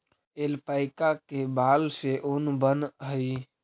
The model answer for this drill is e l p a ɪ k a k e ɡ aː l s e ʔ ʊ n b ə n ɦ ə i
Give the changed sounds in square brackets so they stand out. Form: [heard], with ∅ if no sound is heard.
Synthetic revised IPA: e l p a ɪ k a k e [b] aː l s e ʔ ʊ n b ə n ɦ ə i